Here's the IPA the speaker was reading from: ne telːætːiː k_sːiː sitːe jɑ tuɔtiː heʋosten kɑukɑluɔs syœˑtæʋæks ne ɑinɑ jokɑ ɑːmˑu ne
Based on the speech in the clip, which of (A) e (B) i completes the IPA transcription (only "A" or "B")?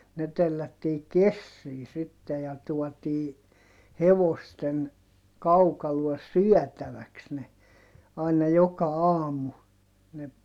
A